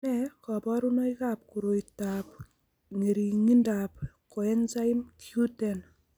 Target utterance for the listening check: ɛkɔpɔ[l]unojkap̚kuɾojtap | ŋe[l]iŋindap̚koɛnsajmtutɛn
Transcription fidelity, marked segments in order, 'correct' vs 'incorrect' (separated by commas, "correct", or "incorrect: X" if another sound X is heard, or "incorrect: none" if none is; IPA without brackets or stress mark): incorrect: ɾ, incorrect: ɾ